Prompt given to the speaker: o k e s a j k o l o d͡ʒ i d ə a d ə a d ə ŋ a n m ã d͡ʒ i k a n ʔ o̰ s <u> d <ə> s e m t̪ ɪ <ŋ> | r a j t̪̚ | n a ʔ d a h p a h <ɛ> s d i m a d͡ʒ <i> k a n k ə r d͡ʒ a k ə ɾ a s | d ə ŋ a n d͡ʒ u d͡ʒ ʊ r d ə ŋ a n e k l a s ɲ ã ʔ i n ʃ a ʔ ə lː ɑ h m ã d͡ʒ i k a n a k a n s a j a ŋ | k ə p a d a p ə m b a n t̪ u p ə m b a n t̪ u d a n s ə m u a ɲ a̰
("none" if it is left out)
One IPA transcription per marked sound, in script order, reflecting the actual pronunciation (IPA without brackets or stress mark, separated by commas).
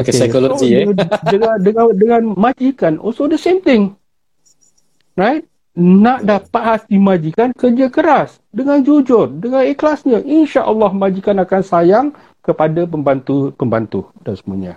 o, ə, ŋ, a, i